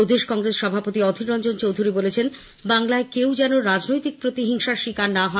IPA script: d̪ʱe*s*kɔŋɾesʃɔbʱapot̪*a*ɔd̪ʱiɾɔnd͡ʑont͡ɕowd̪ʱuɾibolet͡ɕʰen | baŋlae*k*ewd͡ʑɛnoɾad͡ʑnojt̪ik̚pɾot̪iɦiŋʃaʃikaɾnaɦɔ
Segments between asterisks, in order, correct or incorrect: incorrect: ʃ, incorrect: i, correct

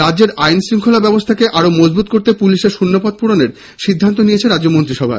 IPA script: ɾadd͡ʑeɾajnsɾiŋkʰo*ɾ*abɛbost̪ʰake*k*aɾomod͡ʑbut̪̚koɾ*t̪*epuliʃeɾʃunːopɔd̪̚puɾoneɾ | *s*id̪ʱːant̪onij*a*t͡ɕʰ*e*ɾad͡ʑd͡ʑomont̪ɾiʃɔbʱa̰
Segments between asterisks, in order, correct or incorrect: incorrect: l, incorrect: ʔ, correct, incorrect: ʃ, incorrect: e, correct

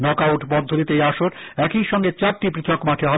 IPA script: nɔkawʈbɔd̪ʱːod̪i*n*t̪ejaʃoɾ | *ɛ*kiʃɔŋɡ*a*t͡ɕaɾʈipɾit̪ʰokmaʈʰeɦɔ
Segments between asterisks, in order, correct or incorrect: incorrect: none, correct, incorrect: e

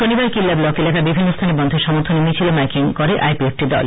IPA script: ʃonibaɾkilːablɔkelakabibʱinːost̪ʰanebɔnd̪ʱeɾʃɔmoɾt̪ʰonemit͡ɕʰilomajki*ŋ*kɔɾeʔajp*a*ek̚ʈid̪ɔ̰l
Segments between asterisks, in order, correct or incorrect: correct, incorrect: i

